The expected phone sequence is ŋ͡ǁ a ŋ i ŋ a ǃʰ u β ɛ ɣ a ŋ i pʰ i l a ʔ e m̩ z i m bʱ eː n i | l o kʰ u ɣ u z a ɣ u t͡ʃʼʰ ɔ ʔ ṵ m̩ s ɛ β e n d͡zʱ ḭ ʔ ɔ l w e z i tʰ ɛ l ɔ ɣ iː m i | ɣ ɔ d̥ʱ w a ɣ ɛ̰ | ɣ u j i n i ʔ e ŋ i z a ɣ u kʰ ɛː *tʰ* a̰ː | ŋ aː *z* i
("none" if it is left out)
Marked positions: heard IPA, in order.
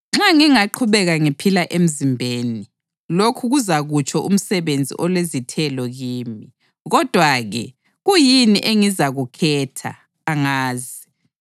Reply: tʰ, z

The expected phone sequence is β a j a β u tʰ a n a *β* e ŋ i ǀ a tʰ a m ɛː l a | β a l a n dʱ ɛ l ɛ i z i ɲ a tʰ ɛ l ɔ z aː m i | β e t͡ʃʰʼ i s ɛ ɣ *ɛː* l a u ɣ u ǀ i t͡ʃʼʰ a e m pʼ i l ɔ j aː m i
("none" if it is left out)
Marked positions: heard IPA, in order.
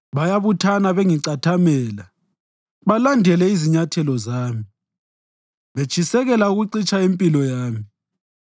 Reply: β, ɛ

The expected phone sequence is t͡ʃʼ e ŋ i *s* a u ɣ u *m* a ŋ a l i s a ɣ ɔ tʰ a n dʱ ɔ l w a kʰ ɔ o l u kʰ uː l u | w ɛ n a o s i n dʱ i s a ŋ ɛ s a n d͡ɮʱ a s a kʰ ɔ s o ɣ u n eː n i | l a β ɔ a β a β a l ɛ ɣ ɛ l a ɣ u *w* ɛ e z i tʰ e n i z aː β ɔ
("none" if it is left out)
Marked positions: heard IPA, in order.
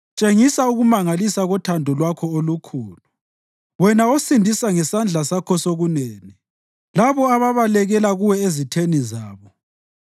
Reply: s, m, w

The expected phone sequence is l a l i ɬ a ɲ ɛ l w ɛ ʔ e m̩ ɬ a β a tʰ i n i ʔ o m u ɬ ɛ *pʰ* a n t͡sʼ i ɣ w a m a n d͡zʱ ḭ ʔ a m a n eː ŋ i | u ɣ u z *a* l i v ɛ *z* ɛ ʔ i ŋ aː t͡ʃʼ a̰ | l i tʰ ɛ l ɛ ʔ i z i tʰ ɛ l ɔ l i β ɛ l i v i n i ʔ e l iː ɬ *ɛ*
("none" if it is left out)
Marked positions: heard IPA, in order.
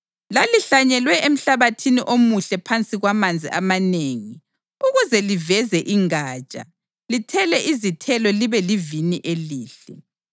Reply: pʰ, ɛ, z, ɛ

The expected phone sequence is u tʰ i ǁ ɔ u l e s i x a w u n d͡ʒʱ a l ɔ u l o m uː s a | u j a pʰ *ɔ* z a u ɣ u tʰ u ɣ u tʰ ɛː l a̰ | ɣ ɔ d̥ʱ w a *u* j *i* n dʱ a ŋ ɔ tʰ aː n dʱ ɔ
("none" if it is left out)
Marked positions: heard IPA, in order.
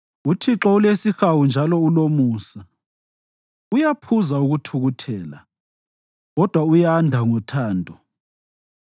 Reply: u, u, a

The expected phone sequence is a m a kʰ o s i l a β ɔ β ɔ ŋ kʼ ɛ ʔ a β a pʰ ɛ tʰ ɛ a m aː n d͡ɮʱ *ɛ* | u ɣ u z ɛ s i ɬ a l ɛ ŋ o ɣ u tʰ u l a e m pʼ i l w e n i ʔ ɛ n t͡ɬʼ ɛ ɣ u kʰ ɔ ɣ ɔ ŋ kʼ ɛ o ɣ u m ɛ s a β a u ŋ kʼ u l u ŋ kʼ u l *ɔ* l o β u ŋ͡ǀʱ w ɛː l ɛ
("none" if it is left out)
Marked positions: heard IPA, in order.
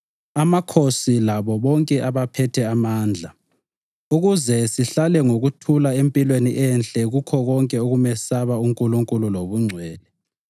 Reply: a, u

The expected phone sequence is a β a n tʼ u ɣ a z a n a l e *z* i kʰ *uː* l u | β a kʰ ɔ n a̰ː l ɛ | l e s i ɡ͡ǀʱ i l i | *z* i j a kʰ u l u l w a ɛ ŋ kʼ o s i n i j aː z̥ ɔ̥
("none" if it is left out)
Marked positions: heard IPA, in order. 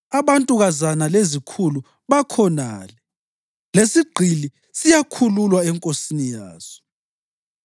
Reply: z, u, s

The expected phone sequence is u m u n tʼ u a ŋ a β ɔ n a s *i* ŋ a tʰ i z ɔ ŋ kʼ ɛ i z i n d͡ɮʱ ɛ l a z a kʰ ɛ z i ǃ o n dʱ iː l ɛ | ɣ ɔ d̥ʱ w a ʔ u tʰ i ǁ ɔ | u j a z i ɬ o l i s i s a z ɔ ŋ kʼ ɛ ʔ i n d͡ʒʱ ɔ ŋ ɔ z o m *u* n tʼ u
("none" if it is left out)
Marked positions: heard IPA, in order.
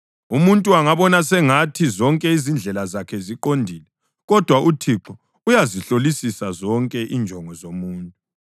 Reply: ɛ, uː

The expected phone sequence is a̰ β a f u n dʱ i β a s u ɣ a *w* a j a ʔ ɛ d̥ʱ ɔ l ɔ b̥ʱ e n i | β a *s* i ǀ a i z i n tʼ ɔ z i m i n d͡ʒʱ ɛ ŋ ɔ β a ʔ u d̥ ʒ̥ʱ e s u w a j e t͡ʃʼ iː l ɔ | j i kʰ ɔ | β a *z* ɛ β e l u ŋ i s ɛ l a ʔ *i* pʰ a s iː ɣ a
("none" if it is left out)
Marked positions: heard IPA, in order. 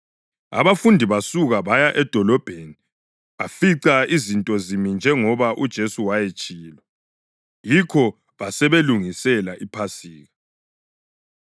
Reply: β, f, s, i

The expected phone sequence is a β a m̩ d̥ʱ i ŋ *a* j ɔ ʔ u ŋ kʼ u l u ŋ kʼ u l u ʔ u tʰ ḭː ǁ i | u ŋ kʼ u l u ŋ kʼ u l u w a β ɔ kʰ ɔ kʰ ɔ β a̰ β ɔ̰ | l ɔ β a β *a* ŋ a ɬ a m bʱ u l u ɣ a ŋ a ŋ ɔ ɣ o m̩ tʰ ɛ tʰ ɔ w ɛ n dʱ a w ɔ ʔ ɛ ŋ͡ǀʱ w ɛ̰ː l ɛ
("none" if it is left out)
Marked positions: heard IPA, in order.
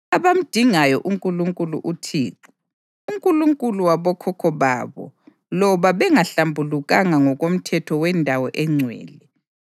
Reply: a, ɛ

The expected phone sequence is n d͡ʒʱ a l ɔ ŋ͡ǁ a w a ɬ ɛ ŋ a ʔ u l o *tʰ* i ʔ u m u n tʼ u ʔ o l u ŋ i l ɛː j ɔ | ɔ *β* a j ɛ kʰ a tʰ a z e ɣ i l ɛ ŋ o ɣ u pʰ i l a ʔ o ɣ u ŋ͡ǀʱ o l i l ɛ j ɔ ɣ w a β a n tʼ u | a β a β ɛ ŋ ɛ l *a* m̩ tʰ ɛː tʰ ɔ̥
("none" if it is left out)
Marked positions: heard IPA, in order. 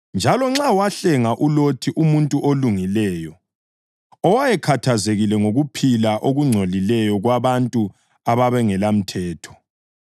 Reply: tʰ, w, a

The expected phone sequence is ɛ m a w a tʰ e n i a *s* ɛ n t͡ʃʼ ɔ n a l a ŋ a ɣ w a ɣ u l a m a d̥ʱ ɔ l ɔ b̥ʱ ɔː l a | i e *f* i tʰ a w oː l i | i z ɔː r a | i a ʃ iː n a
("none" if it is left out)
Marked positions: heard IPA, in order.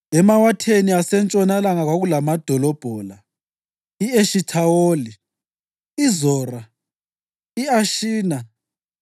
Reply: s, ʃ

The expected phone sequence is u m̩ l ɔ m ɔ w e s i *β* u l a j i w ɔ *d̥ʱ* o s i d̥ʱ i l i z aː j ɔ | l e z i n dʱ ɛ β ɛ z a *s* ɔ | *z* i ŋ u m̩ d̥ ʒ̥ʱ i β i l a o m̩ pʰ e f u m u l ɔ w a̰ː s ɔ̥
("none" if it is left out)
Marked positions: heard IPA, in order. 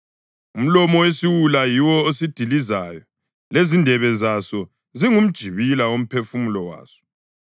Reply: w, none, s, z

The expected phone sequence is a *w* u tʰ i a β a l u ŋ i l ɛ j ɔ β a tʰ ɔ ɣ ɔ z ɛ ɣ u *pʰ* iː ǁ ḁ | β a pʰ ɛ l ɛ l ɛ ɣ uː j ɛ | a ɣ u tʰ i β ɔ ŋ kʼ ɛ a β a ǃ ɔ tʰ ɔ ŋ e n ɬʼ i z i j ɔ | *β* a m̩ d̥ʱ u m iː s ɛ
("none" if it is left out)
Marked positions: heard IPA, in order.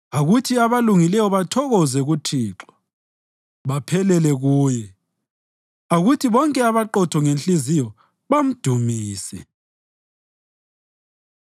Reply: ɣ, tʰ, β

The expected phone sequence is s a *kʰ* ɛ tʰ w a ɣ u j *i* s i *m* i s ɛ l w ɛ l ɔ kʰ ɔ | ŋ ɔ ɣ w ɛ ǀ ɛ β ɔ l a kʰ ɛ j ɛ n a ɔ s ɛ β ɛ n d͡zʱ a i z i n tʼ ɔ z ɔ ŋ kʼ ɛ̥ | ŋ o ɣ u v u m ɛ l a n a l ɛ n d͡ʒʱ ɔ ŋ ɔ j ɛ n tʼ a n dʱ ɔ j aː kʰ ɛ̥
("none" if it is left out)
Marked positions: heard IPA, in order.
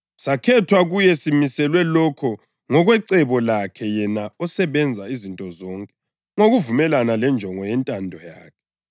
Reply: kʰ, ɛ, m

